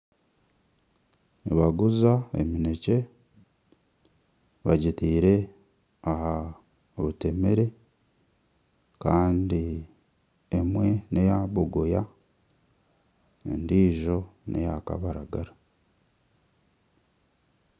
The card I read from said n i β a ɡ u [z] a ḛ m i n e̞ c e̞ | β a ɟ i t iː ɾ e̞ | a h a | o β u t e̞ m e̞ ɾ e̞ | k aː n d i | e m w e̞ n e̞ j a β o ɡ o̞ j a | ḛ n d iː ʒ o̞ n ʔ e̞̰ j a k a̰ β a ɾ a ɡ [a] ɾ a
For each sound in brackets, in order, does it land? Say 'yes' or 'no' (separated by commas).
yes, yes